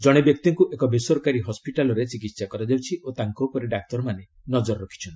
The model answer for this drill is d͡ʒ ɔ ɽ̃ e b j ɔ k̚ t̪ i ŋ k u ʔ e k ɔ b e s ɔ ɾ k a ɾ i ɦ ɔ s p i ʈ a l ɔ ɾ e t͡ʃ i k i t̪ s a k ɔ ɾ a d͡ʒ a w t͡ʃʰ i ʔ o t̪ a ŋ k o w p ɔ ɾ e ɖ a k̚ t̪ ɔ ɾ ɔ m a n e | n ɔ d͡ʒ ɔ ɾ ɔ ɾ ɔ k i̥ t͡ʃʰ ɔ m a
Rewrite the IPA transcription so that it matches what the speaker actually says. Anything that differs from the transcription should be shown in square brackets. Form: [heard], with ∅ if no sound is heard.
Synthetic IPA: d͡ʒ ɔ ɽ̃ e b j ɔ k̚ t̪ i ŋ k u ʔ e k ɔ b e s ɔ ɾ k a ɾ i ɦ ɔ s p i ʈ a l ɔ ɾ e t͡ʃ i k i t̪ s a k ɔ ɾ a d͡ʒ a w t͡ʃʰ i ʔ o t̪ a ŋ k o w p ɔ ɾ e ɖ a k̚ t̪ ɔ ɾ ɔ m a n e | n ɔ d͡ʒ ɔ ɾ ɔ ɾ ɔ [kʰ] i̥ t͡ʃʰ ɔ [n] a